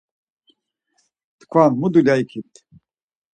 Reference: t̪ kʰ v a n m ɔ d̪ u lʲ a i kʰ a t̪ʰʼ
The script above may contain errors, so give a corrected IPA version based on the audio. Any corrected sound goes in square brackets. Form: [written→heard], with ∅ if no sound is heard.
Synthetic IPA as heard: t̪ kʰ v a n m [ɔ→u] d̪ u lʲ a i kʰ [a→i] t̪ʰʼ